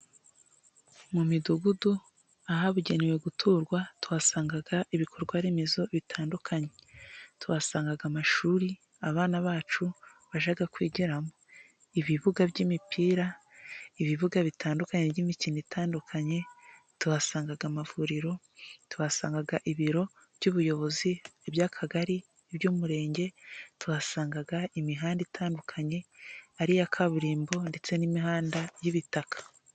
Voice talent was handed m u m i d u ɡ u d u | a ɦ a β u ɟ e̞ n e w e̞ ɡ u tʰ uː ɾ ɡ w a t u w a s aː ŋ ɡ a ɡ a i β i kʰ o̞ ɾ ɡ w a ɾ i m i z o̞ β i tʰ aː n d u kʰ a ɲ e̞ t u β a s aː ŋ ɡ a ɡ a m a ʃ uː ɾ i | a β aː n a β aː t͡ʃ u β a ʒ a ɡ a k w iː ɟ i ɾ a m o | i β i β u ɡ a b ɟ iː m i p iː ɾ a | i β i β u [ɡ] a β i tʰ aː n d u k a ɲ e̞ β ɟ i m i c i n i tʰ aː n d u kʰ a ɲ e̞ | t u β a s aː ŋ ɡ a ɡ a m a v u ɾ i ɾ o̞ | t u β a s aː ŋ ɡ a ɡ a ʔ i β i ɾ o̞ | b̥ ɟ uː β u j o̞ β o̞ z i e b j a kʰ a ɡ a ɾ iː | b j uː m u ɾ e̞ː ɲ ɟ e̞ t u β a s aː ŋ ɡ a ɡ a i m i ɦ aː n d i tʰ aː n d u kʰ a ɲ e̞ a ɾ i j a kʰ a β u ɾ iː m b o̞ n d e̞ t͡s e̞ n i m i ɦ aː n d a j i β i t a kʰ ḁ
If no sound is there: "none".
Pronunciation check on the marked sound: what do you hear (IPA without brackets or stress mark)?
ɡ